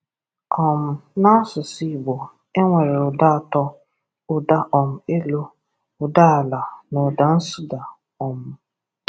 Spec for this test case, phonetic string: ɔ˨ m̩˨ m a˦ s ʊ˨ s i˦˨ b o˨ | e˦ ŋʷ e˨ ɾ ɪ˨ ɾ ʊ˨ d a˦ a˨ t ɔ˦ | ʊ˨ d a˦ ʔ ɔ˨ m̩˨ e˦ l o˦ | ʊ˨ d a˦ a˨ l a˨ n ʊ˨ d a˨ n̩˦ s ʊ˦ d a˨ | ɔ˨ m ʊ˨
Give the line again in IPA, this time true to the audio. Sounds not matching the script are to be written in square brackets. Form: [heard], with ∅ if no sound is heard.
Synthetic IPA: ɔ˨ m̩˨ [n] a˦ s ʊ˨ s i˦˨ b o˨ | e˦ ŋʷ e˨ ɾ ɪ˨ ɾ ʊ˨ d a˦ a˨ t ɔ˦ | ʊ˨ d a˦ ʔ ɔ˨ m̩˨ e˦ l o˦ | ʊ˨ d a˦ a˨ l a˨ n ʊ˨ d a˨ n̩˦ s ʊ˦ d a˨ | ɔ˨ m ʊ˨